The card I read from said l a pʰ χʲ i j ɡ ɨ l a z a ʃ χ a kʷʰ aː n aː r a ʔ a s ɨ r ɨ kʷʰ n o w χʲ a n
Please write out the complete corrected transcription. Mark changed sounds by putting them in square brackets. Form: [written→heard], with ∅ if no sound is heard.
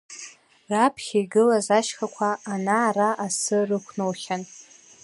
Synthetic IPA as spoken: [l→r] a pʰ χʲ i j ɡ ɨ l a z a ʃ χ a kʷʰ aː n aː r a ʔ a s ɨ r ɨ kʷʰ n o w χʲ a n